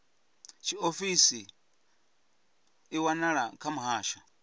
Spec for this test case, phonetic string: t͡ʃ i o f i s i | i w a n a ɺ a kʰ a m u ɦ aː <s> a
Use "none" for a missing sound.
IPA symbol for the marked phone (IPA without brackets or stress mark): ʃ